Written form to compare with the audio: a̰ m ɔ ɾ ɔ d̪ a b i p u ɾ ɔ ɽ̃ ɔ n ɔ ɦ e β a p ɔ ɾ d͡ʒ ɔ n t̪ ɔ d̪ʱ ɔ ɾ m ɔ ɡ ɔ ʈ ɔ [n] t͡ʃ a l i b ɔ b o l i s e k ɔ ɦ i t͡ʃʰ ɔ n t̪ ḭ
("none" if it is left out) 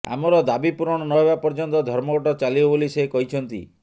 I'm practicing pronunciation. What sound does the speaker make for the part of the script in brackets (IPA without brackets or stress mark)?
none